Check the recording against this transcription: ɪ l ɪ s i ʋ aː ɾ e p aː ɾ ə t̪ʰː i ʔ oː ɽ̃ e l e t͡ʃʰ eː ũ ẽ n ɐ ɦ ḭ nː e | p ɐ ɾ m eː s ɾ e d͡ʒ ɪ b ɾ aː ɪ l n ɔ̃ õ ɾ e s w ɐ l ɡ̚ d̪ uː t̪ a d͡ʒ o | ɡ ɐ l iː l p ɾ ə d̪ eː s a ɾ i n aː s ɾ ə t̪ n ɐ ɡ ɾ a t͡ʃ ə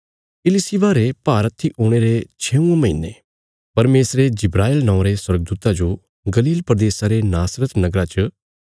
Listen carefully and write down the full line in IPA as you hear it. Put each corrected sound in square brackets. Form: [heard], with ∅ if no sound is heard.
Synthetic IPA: ɪ l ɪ s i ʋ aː ɾ e p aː ɾ ə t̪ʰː i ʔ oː ɽ̃ e [ɾ] e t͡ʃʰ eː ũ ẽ [m] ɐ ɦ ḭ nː e | p ɐ ɾ m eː s ɾ e d͡ʒ ɪ b ɾ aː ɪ l n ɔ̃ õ ɾ e s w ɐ [ɾ] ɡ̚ d̪ uː t̪ a d͡ʒ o | ɡ ɐ l iː l p ɾ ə d̪ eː s a ɾ [e] n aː s ɾ ə t̪ n ɐ ɡ ɾ a t͡ʃ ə

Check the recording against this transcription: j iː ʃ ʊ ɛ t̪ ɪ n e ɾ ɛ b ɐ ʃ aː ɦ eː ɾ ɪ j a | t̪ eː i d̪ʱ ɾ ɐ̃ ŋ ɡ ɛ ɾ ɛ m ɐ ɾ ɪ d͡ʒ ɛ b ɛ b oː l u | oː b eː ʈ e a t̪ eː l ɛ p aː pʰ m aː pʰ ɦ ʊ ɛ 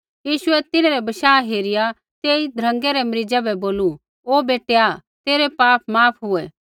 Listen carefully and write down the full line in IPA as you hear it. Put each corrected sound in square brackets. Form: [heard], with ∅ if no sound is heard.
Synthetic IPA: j iː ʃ ʊ ɛ t̪ ɪ n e ɾ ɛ b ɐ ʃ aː ɦ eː ɾ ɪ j a | t̪ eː i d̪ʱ ɾ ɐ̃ ŋ ɡ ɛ ɾ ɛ m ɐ ɾ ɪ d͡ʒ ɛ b ɛ b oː l u | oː b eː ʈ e a t̪ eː [ɾ] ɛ p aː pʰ m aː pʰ ɦ ʊ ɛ

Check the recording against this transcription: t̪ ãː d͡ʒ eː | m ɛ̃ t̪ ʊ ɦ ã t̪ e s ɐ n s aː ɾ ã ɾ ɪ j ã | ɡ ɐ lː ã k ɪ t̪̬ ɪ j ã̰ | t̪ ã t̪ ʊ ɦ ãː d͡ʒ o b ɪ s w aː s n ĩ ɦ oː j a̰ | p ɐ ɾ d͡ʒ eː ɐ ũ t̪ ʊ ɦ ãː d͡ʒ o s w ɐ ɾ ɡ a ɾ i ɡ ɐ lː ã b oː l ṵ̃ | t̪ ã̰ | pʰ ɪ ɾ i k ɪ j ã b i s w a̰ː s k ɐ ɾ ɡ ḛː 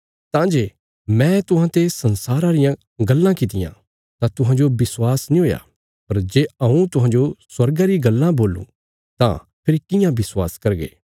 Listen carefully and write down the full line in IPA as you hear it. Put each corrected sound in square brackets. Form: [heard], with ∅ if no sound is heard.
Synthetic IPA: t̪ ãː d͡ʒ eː | m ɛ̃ t̪ ʊ ɦ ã t̪ e s ɐ n s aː ɾ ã ɾ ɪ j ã | ɡ ɐ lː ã k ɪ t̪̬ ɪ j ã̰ | t̪ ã t̪ ʊ ɦ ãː d͡ʒ o b ɪ s w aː s n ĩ ɦ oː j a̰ | p ɐ ɾ d͡ʒ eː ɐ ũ t̪ ʊ ɦ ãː d͡ʒ o s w ɐ ɾ ɡ a ɾ i ɡ ɐ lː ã b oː l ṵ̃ | t̪ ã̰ | pʰ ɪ ɾ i k ɪ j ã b [ɪ] s w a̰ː s k ɐ ɾ ɡ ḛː

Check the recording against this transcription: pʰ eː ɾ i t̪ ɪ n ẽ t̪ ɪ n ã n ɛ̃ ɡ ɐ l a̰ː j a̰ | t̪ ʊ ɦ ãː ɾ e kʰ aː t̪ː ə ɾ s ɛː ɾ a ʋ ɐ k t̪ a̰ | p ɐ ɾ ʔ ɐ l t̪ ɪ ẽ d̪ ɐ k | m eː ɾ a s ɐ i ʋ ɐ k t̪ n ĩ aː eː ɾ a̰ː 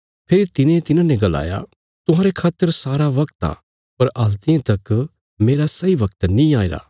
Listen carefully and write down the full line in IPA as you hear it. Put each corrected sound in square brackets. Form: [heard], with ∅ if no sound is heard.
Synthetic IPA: pʰ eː ɾ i t̪ ɪ n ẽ t̪ ɪ n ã n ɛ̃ ɡ ɐ l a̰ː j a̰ | t̪ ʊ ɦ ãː ɾ e kʰ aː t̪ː ə ɾ s [aː] ɾ a ʋ ɐ k t̪ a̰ | p ɐ ɾ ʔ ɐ l t̪ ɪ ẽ [t̪] ɐ k | m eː ɾ a s ɐ i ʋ ɐ k t̪ n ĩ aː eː ɾ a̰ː

